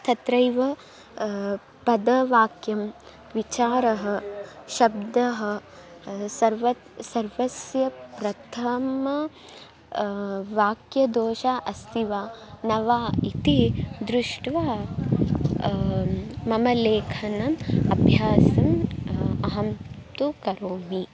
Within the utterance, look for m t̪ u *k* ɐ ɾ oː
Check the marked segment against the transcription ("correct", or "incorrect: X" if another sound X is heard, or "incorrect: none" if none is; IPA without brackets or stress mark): correct